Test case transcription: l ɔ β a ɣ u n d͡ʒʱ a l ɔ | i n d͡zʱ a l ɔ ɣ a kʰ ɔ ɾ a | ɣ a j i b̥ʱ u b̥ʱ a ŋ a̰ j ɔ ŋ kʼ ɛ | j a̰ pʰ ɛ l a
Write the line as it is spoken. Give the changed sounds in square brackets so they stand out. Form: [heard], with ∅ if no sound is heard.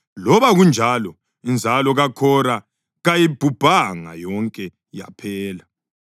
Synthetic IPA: l ɔ β a ɣ u n d͡ʒʱ a l ɔ | i n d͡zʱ a l ɔ ɣ a kʰ ɔ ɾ a | ɣ a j i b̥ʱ u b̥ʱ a ŋ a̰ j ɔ ŋ kʼ ɛ | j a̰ pʰ [ɛː] l a